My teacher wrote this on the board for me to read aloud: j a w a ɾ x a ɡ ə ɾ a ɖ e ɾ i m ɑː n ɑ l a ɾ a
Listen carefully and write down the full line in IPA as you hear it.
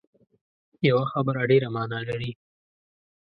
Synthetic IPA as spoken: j a w a x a b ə ɾ a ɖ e ɾ a m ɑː n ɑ l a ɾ i